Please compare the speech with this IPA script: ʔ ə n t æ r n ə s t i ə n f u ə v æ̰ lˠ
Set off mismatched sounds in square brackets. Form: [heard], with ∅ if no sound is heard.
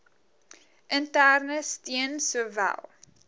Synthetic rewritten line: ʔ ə n t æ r n ə s t i ə n [s] u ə v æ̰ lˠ